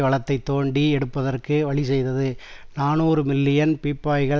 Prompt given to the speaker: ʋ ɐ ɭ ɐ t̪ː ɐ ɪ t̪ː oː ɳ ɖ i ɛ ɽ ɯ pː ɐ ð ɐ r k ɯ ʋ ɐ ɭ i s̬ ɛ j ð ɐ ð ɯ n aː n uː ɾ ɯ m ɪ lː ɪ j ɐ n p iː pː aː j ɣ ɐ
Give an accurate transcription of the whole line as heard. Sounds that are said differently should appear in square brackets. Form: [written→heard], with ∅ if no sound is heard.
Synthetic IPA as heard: ʋ ɐ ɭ ɐ t̪ː ɐ ɪ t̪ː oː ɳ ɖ i ɛ ɽ ɯ pː ɐ ð ɐ r k ɯ ʋ ɐ ɭ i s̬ ɛ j ð ɐ ð ɯ n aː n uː ɾ ɯ m ɪ lː ɪ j ɐ n p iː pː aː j ɣ ɐ